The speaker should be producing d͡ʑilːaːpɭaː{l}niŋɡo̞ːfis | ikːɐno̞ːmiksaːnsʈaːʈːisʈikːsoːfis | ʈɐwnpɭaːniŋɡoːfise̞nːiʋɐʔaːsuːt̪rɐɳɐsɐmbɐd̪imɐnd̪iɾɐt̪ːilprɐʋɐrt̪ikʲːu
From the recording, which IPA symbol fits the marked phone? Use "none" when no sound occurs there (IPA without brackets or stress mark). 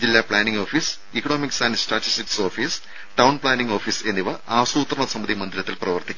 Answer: none